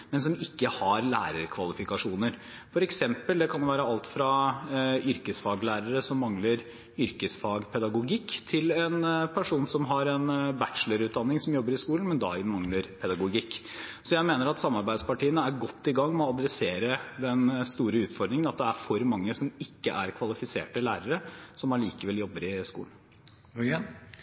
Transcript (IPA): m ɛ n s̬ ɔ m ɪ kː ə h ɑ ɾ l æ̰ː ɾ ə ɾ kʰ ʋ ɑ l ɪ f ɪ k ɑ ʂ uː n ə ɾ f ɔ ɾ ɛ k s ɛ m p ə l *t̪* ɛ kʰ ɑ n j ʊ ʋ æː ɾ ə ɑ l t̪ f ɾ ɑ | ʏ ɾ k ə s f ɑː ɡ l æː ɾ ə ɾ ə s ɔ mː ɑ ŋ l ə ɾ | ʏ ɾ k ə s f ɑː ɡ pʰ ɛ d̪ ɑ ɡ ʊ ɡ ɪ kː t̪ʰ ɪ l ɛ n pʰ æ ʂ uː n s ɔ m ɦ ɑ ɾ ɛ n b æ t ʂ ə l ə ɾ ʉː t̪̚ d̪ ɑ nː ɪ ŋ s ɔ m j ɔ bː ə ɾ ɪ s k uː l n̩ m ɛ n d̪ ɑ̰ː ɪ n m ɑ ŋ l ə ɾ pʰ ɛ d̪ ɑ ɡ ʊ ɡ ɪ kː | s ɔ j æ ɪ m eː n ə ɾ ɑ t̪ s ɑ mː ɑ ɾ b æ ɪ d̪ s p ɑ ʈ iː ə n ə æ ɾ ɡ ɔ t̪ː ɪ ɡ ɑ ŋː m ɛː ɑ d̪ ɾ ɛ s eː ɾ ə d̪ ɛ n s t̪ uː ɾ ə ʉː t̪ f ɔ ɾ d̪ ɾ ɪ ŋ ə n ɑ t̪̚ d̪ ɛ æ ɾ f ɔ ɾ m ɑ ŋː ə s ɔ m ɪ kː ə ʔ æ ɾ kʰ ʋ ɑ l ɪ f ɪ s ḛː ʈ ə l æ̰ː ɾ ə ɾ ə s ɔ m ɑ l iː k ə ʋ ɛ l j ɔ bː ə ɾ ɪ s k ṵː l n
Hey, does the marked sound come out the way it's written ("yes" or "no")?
no